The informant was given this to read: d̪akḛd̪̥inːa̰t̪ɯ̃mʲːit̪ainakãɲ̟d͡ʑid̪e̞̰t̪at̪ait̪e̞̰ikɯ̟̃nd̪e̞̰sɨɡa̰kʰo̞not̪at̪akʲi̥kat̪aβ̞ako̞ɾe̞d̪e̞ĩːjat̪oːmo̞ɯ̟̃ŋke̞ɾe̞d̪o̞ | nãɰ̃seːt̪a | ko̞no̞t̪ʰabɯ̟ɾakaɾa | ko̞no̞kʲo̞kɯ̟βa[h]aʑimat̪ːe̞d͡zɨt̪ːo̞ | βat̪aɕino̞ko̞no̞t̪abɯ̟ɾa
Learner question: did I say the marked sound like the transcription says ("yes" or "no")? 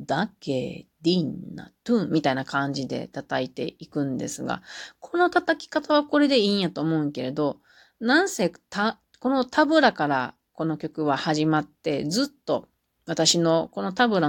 yes